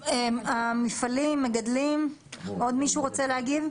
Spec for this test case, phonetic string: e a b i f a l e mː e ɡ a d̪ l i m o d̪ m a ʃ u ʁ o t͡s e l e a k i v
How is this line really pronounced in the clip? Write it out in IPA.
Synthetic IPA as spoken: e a m i f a l i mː e ɡ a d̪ l i m o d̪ m i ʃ u ʁ o t͡s e l e a ɡ i v